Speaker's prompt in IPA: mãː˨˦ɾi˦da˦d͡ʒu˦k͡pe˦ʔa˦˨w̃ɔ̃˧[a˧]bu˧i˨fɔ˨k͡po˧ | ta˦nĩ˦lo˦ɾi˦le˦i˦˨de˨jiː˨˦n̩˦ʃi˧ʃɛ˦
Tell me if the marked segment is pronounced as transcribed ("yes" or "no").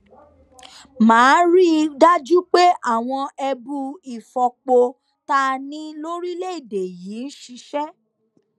no